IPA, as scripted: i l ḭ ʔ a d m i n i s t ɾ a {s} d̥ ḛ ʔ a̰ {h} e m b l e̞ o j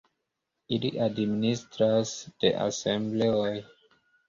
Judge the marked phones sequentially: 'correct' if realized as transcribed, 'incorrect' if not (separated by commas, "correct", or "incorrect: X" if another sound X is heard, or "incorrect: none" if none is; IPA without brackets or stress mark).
correct, incorrect: s